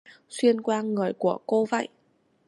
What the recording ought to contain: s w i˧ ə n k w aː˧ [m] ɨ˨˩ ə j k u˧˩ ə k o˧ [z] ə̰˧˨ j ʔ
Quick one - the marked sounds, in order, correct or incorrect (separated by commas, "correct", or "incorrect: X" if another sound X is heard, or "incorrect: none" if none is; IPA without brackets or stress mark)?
incorrect: ŋ, incorrect: v